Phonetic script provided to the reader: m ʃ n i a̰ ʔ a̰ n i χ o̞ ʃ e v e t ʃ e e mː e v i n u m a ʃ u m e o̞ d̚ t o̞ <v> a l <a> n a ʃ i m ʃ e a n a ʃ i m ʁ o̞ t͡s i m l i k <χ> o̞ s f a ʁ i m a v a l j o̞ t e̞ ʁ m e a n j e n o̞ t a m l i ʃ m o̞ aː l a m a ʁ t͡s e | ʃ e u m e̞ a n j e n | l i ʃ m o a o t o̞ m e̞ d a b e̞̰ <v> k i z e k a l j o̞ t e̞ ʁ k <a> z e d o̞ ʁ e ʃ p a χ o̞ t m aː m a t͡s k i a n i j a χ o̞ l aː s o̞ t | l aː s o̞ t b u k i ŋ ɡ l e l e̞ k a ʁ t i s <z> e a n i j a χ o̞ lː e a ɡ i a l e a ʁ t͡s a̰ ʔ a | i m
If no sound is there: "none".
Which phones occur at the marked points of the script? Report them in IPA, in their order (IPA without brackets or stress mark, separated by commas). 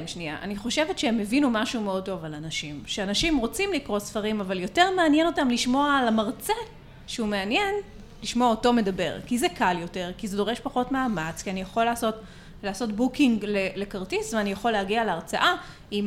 v, a, ʁ, ʁ, i, v